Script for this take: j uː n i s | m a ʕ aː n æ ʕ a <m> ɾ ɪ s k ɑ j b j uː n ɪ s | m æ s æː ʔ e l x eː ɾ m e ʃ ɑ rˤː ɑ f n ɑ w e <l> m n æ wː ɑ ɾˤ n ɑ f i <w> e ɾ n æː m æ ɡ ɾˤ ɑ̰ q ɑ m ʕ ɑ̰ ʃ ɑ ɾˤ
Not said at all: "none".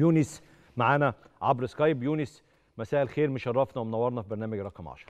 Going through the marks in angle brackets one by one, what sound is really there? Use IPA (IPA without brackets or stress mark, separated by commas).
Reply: b, none, b